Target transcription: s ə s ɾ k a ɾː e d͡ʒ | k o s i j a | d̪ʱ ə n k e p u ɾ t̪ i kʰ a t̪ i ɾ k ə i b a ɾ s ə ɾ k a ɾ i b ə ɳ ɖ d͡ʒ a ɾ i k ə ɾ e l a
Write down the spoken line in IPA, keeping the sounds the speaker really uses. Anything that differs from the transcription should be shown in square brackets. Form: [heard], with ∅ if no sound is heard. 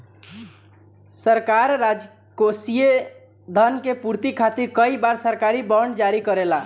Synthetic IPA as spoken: s ə [∅] ɾ k a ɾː [a] d͡ʒ | k o s i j [e] | d̪ʱ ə n k e p u ɾ t̪ i kʰ a t̪ i ɾ k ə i b a ɾ s ə ɾ k a ɾ i b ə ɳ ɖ d͡ʒ a ɾ i k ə ɾ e l a